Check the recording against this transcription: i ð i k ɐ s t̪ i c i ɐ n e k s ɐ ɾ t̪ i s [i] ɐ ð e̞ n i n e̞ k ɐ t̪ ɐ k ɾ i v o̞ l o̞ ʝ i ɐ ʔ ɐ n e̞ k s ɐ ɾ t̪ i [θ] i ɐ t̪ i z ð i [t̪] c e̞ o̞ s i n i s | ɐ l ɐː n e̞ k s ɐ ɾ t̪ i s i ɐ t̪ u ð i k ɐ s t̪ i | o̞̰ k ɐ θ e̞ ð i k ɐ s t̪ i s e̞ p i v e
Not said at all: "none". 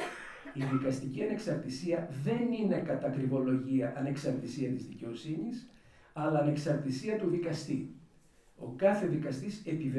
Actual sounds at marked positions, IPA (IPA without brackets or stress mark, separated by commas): i, s, none